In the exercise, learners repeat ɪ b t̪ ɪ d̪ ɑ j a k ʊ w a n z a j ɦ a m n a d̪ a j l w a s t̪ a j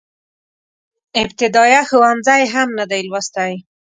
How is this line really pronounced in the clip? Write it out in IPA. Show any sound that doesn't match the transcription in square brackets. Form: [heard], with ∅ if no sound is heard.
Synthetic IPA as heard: ɪ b t̪ ɪ d̪ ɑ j a [x] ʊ w a n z a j ɦ a m n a d̪ a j l w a s t̪ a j